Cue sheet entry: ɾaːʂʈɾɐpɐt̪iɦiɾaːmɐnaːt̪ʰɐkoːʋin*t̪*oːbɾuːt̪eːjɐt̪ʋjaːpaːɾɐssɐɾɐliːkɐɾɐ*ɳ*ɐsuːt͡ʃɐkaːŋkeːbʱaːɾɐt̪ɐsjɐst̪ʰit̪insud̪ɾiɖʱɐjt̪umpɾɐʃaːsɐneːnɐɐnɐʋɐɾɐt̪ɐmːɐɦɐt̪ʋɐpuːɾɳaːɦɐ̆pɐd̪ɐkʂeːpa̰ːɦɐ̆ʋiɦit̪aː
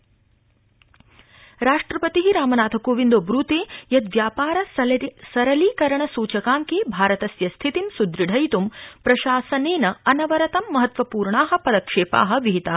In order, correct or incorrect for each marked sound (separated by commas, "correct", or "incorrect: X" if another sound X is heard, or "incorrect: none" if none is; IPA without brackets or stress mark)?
incorrect: d̪, correct